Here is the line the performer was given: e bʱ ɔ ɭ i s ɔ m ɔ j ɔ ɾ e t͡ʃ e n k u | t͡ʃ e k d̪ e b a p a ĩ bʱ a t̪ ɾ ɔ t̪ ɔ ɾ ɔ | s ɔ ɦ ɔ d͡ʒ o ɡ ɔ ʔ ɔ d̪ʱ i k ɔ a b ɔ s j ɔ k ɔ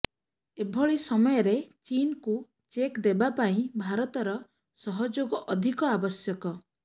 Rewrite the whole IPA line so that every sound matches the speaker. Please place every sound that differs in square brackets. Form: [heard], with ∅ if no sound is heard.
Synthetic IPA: e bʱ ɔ ɭ i s ɔ m ɔ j ɔ ɾ e t͡ʃ [i] n k u | t͡ʃ e k d̪ e b a p a ĩ bʱ a [∅] ɾ ɔ t̪ ɔ ɾ ɔ | s ɔ ɦ ɔ d͡ʒ o ɡ ɔ ʔ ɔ d̪ʱ i k ɔ a b ɔ s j ɔ k ɔ